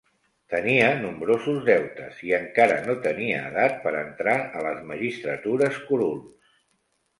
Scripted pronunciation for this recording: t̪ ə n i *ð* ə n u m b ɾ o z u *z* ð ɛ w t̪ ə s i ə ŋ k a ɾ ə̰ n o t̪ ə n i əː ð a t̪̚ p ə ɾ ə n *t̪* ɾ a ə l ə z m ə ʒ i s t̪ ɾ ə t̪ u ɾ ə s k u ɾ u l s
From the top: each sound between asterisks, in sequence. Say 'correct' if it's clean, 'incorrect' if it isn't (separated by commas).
incorrect, correct, correct